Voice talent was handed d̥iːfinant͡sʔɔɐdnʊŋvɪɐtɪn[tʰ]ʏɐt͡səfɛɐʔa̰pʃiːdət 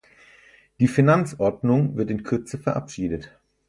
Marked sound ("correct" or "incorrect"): incorrect